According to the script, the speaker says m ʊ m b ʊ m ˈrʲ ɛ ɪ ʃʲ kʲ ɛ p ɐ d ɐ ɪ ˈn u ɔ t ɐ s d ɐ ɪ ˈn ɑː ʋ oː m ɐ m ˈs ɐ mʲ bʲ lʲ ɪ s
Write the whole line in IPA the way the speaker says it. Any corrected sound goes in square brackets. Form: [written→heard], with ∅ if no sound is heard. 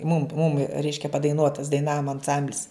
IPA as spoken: m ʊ m [b→m] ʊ m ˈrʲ ɛ ɪ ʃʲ kʲ ɛ p ɐ d ɐ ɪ ˈn u ɔ t ɐ s d ɐ ɪ ˈn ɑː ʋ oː m ɐ [m→n] ˈs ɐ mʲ bʲ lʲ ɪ s